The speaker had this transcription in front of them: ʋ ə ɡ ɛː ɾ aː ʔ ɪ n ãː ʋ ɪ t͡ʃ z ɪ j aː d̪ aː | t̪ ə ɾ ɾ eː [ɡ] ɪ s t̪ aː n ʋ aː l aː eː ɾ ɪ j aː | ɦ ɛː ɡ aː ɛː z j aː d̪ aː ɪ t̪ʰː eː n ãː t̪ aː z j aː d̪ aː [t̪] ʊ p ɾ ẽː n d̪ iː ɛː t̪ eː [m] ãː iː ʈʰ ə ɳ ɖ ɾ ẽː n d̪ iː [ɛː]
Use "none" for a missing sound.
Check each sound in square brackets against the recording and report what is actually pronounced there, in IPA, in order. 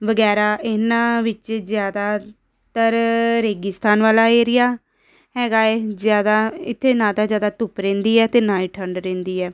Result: ɡ, t̪, n, ɛː

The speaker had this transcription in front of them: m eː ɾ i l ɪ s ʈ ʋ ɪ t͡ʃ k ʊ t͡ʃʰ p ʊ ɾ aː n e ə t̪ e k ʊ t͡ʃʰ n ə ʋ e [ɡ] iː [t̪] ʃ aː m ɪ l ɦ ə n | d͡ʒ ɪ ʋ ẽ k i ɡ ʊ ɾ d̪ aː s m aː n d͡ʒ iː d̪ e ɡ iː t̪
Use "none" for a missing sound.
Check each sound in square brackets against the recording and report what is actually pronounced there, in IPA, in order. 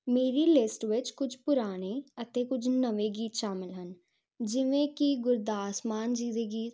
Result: ɡ, t̪

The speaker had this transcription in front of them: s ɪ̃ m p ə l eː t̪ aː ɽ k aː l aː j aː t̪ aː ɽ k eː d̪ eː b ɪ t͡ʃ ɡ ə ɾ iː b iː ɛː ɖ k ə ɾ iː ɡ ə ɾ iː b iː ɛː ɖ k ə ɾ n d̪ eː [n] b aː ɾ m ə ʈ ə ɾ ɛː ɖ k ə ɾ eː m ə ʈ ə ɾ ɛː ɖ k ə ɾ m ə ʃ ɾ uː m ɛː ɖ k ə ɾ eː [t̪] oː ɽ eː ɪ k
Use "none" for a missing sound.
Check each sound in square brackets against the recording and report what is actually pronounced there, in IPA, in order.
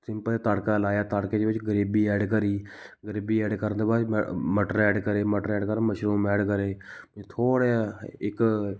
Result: none, t̪ʰ

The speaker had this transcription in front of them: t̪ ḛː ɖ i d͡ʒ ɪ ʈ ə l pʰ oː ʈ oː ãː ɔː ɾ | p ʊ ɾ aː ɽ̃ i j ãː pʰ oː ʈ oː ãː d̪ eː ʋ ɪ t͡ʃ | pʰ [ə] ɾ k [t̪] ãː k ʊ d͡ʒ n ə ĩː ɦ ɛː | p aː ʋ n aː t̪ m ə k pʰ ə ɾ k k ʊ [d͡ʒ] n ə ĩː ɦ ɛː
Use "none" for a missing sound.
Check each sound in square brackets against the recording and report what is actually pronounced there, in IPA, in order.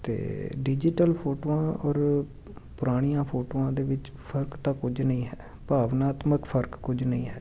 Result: ə, t̪, d͡ʒ

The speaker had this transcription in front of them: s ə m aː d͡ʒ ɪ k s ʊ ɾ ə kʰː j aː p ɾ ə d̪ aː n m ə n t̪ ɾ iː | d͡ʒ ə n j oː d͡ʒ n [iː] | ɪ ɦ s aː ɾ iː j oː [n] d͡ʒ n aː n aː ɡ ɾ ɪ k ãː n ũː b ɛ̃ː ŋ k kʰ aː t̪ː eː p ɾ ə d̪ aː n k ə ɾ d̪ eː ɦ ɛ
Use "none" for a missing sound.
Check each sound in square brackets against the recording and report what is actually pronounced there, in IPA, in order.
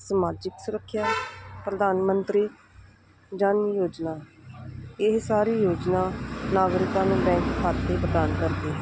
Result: aː, none

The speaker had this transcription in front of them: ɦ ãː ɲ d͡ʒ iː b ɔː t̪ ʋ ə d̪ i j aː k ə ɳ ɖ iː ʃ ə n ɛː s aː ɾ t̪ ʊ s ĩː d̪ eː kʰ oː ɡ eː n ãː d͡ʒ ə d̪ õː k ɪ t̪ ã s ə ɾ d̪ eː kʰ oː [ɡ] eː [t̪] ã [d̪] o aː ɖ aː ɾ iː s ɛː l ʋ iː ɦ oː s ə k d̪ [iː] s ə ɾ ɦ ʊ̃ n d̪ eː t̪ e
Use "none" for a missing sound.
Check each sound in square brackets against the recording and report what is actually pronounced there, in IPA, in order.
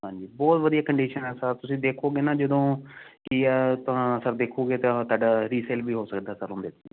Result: ɡ, t̪, t̪, aː

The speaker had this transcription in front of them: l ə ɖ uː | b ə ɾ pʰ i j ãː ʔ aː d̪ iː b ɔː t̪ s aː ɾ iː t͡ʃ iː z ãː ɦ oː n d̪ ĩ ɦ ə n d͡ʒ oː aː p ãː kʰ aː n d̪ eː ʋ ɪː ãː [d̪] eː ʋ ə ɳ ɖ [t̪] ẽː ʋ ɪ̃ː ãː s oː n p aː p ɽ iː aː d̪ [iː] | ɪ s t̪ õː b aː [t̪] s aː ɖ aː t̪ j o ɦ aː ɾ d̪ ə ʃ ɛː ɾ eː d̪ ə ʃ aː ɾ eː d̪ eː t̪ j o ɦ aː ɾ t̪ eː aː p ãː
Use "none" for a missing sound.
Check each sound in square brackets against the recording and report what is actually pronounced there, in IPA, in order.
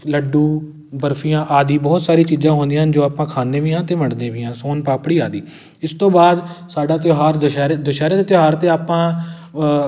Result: t̪, d̪, iː, d̪

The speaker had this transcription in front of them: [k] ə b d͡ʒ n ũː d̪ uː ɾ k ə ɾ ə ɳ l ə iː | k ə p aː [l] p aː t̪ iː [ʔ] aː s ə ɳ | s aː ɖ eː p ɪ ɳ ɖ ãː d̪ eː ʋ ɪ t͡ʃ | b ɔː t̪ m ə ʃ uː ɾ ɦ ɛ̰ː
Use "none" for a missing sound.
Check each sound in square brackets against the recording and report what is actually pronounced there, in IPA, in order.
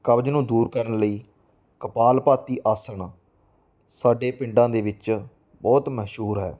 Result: k, l, ʔ

